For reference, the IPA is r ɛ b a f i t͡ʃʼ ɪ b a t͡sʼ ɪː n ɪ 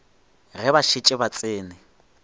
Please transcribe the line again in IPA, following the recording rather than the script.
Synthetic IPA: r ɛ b a ʃ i t͡ʃʼ ɪ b a t͡sʼ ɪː n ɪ